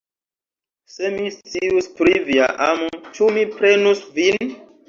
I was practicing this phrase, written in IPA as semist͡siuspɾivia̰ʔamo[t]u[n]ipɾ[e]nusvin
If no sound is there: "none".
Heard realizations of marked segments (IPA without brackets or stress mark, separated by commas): t͡ʃ, m, e